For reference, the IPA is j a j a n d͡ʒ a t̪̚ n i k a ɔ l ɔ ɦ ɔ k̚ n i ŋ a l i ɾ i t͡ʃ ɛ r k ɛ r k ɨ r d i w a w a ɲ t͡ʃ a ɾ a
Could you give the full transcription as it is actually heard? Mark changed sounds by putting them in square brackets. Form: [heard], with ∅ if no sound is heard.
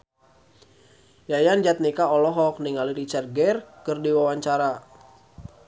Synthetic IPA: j a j a n d͡ʒ a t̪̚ n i k a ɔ l ɔ ɦ ɔ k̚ n i ŋ a l i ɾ i t͡ʃ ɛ r [ɡ] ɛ r k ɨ r d i w a w a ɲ t͡ʃ a ɾ a